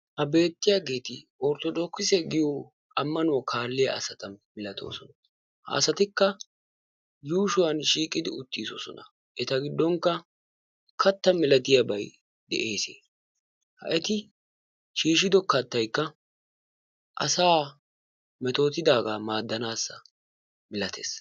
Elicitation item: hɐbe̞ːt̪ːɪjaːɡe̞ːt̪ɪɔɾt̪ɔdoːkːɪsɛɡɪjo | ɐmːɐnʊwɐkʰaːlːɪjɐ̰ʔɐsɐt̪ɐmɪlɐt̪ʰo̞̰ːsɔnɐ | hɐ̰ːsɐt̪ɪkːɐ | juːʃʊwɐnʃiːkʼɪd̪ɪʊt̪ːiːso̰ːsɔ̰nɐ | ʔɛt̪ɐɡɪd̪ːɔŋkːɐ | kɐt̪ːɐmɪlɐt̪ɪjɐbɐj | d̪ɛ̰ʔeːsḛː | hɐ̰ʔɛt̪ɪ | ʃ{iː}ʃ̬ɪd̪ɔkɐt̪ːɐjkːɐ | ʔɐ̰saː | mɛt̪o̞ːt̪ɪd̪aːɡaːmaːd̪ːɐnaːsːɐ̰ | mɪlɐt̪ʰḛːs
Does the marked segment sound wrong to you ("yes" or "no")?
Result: no